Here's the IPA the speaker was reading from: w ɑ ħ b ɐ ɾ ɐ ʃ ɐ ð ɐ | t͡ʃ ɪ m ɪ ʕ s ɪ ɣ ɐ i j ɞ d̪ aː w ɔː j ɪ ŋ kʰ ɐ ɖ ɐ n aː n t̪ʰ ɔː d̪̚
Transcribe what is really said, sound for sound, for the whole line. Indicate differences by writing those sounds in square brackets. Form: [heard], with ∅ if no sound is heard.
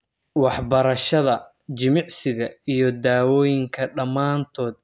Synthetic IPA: w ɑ ħ b ɐ ɾ ɐ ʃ ɐ ð ɐ | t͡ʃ ɪ m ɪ ʕ s ɪ ɣ ɐ i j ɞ d̪ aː w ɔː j ɪ ŋ kʰ ɐ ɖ ɐ [m] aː n t̪ʰ ɔː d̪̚